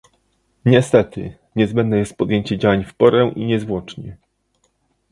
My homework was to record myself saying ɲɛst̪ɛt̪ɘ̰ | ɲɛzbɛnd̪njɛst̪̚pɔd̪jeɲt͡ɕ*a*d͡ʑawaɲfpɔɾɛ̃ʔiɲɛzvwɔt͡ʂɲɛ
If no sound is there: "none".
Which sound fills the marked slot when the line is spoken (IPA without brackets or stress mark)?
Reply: ɛ